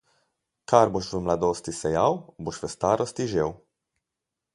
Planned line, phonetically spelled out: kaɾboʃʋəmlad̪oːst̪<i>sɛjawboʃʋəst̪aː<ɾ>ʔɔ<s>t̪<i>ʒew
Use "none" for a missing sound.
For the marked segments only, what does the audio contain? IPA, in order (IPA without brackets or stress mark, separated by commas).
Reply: i, ɾ, s, i